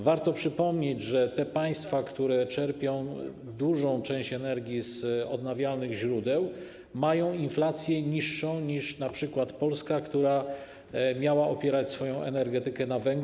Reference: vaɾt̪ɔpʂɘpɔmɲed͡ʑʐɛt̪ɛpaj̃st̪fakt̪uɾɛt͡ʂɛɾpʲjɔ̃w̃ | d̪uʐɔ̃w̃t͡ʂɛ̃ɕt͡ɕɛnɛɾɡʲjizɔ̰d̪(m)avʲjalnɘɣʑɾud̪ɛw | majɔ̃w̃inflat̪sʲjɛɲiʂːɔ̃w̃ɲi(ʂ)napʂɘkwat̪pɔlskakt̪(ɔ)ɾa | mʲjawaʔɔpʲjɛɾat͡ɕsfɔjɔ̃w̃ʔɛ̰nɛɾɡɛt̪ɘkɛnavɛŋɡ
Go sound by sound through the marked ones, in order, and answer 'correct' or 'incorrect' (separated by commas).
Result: incorrect, correct, incorrect